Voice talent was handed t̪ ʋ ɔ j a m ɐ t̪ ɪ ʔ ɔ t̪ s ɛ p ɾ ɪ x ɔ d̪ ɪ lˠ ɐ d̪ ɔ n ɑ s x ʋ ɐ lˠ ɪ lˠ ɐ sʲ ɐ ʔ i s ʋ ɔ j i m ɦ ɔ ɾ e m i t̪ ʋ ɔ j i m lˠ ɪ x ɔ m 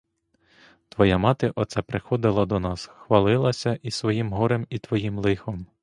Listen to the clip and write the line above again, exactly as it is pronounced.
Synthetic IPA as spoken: t̪ ʋ ɔ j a m ɑ t̪ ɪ ʔ ɔ t̪ s ɛ p ɾ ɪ x ɔ d̪ ɪ lˠ ɐ d̪ ɔ n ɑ s x ʋ ɐ lˠ ɪ lˠ ɐ sʲ ɐ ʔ i s ʋ ɔ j i m ɦ ɔ ɾ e m i t̪ ʋ ɔ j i m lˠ ɪ x ɔ m